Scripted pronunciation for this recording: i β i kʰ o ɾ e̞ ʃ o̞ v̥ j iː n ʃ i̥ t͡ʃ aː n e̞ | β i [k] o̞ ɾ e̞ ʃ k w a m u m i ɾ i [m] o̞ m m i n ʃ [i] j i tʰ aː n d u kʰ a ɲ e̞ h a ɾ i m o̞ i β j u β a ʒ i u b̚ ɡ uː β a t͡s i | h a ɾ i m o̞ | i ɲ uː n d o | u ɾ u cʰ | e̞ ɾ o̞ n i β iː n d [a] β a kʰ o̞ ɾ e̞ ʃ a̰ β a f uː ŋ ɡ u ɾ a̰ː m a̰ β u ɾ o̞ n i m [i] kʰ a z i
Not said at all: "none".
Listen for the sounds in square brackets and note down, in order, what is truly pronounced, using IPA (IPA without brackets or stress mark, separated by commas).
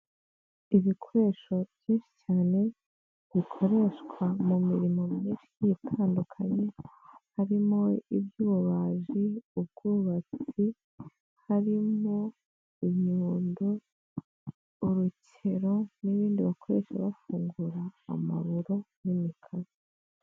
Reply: kʰ, m, i, i, i